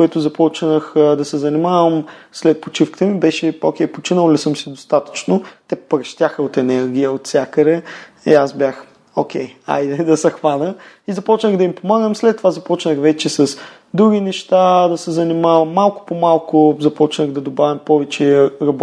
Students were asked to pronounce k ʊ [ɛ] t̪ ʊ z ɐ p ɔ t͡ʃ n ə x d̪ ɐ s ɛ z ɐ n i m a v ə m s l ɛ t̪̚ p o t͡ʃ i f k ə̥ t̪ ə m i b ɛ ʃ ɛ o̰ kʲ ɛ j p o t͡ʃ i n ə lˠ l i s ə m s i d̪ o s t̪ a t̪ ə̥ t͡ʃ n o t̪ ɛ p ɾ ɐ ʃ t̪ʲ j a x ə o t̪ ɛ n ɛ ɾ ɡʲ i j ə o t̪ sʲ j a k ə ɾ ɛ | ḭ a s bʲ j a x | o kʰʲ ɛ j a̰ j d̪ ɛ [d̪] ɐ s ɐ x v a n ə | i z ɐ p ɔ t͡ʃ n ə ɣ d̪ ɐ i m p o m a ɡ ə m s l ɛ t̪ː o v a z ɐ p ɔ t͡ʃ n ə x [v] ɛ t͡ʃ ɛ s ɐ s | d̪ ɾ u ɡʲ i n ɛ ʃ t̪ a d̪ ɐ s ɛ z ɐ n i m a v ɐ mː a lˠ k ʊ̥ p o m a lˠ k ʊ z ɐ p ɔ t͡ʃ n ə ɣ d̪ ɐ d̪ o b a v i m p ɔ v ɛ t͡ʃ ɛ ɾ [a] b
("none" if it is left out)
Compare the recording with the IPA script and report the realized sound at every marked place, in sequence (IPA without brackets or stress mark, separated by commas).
ɛ, d̪, v, ɐ